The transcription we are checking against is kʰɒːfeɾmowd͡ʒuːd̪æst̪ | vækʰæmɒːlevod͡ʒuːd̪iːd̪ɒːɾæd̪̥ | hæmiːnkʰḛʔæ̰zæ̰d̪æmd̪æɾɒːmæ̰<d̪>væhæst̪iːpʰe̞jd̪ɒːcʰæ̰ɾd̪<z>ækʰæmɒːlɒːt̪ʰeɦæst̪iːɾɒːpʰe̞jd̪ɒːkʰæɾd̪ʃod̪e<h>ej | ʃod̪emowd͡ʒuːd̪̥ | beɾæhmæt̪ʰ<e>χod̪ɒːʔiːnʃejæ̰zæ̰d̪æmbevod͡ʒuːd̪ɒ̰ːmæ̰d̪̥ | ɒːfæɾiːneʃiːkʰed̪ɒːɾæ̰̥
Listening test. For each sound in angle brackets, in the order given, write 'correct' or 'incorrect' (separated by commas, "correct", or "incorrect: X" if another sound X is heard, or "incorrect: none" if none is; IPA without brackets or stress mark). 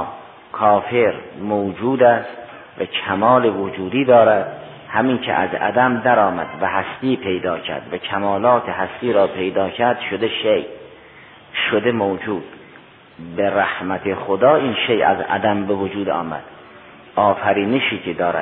correct, incorrect: v, incorrect: ʃ, correct